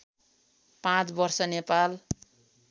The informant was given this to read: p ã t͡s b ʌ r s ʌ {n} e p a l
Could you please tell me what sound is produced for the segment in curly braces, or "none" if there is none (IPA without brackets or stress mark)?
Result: n